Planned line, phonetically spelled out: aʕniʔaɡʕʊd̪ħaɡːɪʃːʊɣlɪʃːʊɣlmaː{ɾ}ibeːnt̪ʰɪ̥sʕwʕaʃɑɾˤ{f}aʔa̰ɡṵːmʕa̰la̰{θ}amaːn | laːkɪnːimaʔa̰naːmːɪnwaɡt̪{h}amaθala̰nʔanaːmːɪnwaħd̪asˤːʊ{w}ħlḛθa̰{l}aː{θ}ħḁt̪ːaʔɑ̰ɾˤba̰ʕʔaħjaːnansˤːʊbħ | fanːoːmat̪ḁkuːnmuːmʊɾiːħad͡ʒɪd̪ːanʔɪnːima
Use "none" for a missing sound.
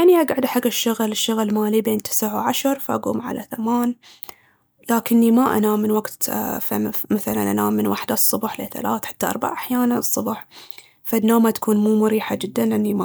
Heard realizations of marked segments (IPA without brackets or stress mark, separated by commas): l, f, θ, f, b, l, θ